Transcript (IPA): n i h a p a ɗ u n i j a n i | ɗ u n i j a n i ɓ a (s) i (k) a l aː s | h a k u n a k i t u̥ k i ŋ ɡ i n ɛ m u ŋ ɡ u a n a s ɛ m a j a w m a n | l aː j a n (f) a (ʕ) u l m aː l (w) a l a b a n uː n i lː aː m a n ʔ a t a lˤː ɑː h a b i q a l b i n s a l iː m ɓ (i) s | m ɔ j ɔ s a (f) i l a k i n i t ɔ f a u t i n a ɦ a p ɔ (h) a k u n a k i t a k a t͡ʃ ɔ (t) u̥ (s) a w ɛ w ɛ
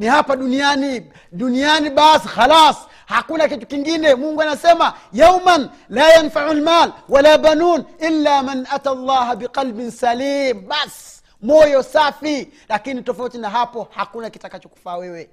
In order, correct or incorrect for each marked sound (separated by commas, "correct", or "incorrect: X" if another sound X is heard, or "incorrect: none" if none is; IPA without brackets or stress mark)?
correct, incorrect: x, correct, correct, correct, incorrect: a, correct, correct, incorrect: k, incorrect: f